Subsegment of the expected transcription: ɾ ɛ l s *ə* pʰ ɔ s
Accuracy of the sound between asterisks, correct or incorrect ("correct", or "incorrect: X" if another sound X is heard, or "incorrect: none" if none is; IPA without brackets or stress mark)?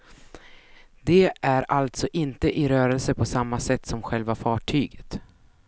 correct